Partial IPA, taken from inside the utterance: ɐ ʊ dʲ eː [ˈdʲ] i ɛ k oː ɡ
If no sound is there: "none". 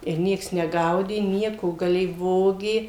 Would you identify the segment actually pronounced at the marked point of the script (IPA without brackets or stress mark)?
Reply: nʲ